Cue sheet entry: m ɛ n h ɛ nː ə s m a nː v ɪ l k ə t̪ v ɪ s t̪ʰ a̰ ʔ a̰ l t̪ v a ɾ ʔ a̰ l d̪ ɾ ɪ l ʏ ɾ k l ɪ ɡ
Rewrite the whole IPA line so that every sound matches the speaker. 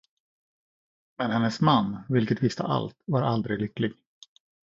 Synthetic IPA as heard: m ɛ n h ɛ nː ə s m a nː v ɪ l k ə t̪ v ɪ s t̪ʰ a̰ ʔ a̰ l t̪ v a ɾ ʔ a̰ l d̪ ɾ ɪ l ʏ k l ɪ ɡ